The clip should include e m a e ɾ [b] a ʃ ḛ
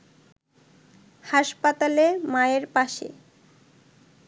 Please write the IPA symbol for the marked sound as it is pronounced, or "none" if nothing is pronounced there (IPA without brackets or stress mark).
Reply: p